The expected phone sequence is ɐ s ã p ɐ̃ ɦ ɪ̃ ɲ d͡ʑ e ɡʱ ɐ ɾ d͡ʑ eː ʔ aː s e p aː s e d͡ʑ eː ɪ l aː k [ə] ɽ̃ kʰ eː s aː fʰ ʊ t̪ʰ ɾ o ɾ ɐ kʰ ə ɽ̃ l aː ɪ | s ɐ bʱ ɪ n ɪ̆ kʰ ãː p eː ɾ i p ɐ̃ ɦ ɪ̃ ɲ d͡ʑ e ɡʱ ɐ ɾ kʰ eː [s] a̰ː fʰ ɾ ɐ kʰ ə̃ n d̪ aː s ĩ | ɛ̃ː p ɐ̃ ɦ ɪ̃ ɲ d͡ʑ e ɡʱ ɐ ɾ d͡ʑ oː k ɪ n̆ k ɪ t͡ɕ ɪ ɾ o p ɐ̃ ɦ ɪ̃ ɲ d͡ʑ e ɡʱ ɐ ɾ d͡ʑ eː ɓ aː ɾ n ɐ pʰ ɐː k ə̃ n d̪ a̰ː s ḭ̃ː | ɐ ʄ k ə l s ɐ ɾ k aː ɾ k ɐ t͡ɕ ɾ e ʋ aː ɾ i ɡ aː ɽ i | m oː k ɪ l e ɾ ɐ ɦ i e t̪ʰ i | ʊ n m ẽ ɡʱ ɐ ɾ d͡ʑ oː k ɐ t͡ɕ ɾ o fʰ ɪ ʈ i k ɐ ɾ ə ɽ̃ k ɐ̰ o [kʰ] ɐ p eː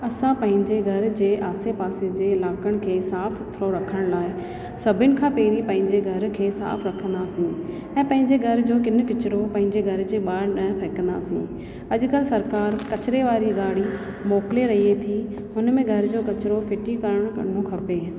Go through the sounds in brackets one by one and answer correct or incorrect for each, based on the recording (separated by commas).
correct, correct, correct